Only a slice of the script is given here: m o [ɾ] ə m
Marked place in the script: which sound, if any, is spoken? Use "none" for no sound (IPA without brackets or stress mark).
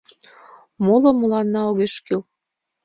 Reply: l